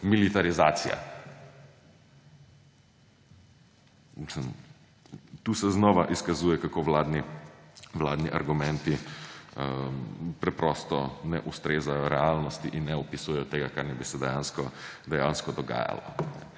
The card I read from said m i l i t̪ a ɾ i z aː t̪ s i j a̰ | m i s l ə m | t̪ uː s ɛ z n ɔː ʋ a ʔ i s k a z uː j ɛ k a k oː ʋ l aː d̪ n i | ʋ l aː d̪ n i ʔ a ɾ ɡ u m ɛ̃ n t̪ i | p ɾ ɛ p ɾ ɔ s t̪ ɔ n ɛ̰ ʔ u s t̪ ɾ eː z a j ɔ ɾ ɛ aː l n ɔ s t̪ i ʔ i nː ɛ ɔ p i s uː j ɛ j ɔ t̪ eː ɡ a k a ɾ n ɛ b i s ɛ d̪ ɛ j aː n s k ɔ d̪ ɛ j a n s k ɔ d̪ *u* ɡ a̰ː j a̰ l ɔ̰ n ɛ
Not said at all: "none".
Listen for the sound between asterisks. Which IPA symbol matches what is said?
ɔ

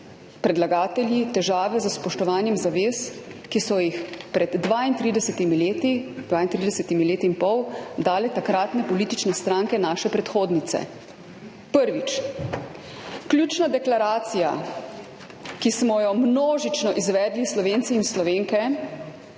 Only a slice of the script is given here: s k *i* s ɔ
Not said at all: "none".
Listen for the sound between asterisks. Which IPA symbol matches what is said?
i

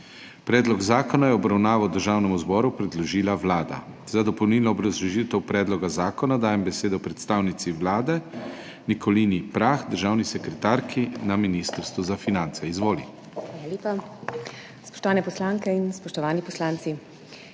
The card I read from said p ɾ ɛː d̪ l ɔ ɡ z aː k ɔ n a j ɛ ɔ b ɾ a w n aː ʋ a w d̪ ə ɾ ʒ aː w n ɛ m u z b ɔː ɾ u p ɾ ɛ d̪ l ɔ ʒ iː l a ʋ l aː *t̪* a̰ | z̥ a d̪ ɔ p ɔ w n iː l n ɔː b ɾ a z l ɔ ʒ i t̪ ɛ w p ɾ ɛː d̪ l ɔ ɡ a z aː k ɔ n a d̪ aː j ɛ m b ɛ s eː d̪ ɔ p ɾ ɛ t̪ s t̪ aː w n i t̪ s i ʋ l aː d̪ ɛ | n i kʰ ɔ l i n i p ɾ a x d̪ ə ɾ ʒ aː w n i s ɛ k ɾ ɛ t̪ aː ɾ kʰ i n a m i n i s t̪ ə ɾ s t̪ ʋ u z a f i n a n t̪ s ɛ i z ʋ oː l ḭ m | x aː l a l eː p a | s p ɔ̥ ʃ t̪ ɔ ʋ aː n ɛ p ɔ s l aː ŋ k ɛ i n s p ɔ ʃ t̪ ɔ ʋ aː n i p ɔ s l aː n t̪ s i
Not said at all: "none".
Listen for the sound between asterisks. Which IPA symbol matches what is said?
d̪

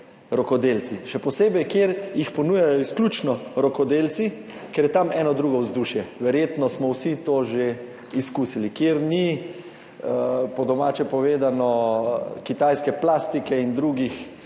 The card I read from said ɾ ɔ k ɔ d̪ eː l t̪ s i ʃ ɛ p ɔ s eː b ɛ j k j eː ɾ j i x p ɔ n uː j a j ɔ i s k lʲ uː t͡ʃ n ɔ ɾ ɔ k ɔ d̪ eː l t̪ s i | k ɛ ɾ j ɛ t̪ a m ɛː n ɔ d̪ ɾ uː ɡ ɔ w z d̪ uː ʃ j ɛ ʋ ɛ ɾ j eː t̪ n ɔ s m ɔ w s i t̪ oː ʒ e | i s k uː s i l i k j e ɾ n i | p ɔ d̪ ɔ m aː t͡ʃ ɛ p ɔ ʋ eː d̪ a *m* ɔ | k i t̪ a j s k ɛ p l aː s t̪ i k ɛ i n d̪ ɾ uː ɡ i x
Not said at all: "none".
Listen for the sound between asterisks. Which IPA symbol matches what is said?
n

